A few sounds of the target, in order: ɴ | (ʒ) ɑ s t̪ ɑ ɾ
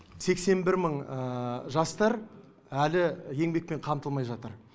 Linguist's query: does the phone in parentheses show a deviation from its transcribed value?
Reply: no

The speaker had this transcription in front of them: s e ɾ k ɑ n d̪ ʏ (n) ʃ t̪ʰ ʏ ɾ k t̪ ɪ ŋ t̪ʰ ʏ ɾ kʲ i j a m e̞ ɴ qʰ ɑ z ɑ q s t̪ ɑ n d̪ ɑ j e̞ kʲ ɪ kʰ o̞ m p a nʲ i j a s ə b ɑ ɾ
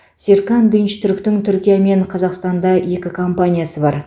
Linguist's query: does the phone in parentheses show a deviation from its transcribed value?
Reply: no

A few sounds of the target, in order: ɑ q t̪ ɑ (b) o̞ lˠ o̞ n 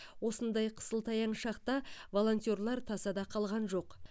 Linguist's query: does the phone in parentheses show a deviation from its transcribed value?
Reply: yes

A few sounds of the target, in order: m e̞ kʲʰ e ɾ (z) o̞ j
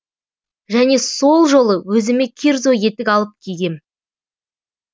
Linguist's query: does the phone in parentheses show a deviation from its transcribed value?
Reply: no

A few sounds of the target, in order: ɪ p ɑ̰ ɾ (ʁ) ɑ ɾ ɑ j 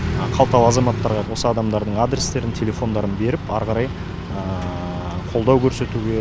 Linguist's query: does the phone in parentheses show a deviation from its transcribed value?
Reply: no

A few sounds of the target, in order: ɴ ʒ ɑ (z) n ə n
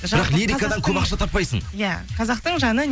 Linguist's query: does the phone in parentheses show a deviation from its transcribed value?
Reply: yes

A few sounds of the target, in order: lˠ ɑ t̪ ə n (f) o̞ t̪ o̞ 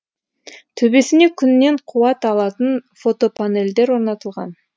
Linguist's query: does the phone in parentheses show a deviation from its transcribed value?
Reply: no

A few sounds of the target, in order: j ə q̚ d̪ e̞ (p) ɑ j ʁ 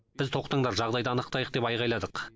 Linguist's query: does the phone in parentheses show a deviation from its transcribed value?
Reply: no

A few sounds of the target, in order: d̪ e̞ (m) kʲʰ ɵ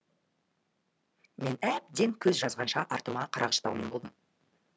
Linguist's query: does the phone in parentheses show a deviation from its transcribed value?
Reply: yes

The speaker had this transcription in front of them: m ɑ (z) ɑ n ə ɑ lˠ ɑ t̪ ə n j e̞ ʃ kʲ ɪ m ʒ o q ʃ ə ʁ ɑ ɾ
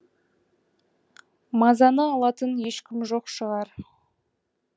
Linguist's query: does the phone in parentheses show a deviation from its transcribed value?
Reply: no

